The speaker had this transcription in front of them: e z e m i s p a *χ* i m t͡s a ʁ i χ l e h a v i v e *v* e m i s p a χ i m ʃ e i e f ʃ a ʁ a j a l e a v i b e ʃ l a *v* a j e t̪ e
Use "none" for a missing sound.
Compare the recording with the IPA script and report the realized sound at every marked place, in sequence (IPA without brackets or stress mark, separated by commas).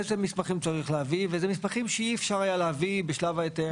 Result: χ, z, v